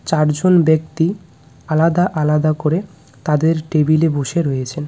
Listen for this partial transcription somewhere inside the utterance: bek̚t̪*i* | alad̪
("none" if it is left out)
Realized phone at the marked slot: i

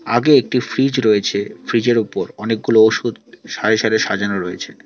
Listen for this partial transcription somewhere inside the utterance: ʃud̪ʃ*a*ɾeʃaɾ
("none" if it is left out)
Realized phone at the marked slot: a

